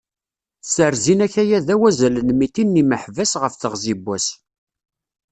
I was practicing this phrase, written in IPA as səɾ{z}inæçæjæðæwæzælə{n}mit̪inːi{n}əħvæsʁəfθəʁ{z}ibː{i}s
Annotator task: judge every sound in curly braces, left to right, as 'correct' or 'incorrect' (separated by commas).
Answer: correct, correct, incorrect, correct, incorrect